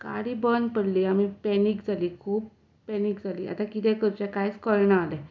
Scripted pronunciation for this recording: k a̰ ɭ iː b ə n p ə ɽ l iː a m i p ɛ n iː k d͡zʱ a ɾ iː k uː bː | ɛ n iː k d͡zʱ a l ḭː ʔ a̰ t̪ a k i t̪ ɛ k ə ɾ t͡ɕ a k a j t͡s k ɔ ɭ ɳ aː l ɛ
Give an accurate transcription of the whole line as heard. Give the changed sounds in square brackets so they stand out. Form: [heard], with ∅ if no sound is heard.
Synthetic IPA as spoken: k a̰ [ɽ] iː b ə n p ə ɽ l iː a m i p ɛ n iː k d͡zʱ a [l] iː [kʰ] uː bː | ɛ n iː k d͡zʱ a l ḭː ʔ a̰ t̪ a k i t̪ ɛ k ə ɾ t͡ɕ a k a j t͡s k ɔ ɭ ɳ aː l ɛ